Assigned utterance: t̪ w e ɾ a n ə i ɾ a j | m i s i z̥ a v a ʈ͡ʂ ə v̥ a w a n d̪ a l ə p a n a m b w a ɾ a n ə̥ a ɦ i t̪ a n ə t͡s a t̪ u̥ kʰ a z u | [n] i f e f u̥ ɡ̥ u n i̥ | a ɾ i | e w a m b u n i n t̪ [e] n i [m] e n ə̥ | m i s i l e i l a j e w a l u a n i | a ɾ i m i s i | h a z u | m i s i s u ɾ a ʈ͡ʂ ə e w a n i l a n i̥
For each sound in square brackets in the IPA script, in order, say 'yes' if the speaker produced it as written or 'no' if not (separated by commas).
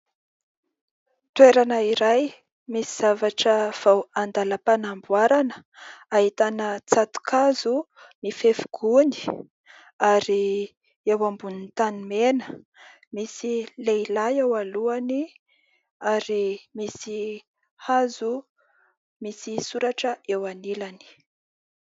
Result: no, no, yes